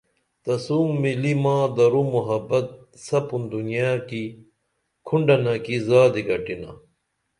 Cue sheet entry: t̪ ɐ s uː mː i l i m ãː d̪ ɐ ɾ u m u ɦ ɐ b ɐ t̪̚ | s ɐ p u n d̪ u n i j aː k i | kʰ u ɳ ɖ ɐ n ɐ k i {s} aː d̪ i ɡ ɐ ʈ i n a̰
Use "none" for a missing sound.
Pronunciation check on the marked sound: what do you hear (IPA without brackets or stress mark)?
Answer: z